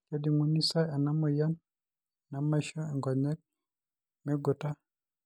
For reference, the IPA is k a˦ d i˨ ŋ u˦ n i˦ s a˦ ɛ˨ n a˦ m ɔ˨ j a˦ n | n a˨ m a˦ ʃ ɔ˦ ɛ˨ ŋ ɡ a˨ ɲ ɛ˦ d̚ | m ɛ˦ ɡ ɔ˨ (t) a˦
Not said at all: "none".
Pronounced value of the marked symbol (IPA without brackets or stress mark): t